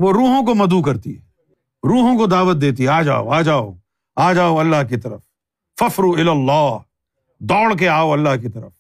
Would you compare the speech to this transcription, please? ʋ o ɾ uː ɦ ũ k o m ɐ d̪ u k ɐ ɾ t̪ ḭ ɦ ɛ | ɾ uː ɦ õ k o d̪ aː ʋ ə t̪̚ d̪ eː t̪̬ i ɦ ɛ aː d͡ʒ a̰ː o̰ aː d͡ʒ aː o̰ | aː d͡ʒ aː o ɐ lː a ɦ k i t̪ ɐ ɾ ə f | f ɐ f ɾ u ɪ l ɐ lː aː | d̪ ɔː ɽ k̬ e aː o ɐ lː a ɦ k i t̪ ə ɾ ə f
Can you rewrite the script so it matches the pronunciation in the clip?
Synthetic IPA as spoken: ʋ o ɾ uː ɦ õ k o m ɐ d̪ u k ɐ ɾ t̪ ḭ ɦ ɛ | ɾ uː ɦ õ k o d̪ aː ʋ ə t̪̚ d̪ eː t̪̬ i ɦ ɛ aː d͡ʒ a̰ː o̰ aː d͡ʒ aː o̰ | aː d͡ʒ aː o ɐ lː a ɦ k i t̪ ɐ ɾ ə f | f ɐ f ɾ u ɪ l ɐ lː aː | d̪ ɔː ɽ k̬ e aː o ɐ lː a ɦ k i t̪ ɐ ɾ ə f